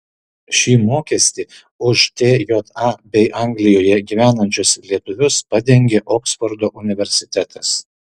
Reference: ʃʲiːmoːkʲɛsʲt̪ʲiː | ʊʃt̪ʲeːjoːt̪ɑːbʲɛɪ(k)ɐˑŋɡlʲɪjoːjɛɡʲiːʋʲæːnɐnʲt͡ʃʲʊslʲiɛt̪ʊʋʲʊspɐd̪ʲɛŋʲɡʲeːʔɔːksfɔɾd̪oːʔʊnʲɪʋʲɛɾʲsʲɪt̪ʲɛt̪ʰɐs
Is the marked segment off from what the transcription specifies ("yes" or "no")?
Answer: yes